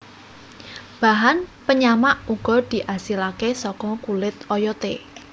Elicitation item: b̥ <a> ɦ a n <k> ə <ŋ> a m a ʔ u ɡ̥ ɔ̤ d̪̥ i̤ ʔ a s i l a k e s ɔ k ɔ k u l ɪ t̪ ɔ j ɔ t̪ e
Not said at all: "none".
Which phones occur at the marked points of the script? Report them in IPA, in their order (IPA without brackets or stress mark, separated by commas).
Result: a, p, ɲ